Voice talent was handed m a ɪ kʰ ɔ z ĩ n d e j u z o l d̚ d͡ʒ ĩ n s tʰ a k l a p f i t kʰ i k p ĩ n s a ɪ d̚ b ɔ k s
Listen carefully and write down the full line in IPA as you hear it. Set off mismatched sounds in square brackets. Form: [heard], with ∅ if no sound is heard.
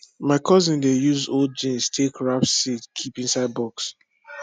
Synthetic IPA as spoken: m a ɪ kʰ ɔ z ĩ n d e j u z o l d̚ d͡ʒ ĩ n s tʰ [e] k [ɹ] a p [s] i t kʰ i [∅] p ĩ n s a ɪ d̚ b ɔ k s